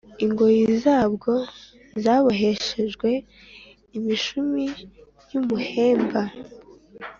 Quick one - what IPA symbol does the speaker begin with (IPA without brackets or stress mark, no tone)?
i